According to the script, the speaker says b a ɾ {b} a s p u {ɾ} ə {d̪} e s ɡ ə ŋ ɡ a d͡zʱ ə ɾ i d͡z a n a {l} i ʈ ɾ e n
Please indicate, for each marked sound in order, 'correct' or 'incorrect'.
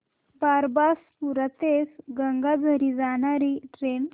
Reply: correct, correct, incorrect, incorrect

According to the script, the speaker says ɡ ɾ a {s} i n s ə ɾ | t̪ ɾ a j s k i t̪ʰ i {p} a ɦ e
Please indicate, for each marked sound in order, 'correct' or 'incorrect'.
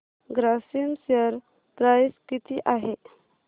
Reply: correct, incorrect

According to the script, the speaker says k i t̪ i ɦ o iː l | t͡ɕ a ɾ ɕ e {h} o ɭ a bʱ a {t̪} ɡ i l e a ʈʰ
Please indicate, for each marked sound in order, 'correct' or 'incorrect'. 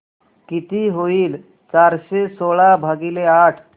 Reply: incorrect, incorrect

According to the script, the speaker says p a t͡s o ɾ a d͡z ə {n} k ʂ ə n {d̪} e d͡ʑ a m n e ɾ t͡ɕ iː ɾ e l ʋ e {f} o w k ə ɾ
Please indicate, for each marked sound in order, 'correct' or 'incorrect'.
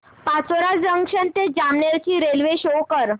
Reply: incorrect, incorrect, incorrect

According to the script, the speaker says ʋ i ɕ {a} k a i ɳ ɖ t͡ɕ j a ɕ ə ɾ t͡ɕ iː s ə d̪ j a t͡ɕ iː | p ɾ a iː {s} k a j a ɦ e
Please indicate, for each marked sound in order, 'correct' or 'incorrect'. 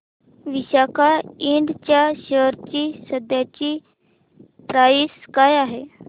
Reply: correct, correct

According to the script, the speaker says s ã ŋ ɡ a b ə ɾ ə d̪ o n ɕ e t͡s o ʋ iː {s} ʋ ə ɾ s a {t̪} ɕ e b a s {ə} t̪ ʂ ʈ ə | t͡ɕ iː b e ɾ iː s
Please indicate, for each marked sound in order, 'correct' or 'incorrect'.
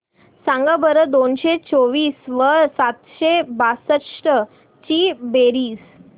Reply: correct, correct, correct

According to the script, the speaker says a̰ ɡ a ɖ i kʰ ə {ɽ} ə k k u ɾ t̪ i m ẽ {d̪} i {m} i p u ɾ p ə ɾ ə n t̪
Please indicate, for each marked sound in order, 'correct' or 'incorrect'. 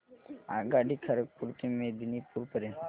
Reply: incorrect, correct, incorrect

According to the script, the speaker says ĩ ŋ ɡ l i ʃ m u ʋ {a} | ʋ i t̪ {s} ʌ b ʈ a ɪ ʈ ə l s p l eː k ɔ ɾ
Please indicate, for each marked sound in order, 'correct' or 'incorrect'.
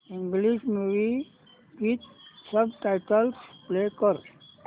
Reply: incorrect, correct

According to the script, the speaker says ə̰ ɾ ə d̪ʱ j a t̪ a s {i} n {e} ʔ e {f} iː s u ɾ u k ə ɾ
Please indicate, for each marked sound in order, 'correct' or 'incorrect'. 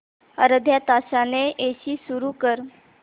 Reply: incorrect, correct, incorrect

